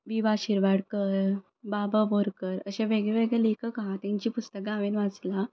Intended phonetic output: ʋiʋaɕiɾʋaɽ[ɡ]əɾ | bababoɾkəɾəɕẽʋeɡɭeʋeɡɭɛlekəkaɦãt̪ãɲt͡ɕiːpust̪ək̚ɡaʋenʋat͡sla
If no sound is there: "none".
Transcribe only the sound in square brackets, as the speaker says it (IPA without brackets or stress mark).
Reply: k